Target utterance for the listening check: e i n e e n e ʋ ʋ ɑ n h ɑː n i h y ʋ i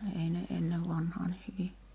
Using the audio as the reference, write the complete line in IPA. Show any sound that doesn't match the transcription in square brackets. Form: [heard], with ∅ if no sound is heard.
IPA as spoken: e i n e e [nː] e ʋ ʋ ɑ n h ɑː n i h y ʋ i